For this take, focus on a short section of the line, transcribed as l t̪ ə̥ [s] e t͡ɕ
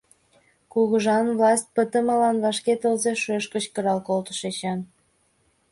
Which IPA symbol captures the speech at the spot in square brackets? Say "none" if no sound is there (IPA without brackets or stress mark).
ʃ